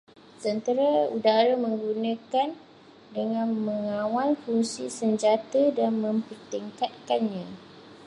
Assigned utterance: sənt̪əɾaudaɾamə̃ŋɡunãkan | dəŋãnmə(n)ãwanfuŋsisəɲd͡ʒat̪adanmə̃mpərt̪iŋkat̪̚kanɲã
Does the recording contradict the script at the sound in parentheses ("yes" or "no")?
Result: yes